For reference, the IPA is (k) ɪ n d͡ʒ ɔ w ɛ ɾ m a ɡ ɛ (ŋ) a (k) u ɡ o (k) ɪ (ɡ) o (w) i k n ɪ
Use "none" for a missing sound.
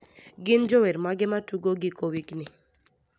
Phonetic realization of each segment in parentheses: ɡ, m, t, ɡ, k, w

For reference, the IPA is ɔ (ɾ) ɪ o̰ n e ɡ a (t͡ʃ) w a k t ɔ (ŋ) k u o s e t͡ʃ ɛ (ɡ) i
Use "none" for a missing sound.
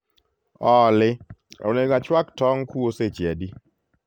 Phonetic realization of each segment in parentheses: l, t͡ʃ, ŋ, d

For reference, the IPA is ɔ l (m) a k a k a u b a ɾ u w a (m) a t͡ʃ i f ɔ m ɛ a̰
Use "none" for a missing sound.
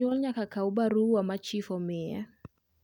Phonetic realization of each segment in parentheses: ɲ, m

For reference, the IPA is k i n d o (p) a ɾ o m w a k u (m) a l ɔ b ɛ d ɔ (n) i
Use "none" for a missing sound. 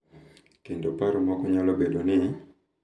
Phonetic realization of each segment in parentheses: p, ɲ, n

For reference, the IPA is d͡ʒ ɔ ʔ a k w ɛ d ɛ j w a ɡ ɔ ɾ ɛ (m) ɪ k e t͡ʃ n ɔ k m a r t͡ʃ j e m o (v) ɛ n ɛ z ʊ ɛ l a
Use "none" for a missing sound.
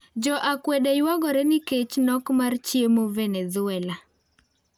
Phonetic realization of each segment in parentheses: n, v

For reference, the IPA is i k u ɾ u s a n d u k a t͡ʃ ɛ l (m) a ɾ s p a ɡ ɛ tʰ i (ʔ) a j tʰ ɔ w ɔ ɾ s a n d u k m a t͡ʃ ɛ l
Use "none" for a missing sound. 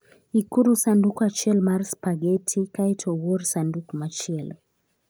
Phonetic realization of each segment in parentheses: m, k

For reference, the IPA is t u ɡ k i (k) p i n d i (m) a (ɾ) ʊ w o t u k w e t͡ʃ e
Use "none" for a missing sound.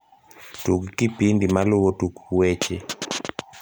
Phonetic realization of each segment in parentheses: none, m, l

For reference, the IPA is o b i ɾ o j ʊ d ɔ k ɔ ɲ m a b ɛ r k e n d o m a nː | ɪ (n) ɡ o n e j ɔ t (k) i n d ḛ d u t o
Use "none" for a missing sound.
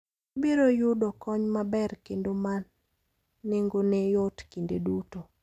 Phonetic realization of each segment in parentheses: ŋ, k

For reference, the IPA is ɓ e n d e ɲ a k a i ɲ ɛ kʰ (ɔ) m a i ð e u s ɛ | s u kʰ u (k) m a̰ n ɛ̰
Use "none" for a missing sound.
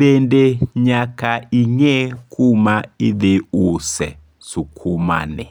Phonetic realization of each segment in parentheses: u, none

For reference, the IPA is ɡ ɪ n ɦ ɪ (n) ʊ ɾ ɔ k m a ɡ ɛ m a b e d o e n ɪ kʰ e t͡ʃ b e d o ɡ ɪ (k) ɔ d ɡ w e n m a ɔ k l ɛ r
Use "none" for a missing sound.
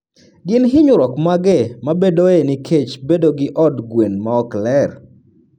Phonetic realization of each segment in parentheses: ɲ, ʔ

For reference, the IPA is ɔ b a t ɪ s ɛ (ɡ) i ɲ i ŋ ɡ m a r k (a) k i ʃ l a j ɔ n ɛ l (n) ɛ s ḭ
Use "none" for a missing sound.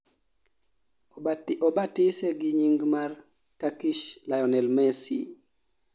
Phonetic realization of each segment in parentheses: ɡ, a, m

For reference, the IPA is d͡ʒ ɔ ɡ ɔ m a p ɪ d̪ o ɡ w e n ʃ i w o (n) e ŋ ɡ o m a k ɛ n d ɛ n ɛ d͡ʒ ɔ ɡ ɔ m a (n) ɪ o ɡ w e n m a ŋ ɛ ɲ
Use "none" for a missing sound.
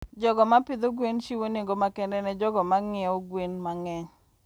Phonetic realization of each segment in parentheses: n, ŋ

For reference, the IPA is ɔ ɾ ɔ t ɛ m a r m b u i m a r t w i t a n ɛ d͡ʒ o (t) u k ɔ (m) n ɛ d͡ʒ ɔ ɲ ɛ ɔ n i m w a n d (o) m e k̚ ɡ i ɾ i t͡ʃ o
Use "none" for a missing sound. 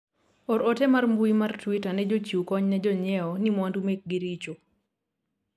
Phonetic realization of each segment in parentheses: t͡ʃ, ɲ, u

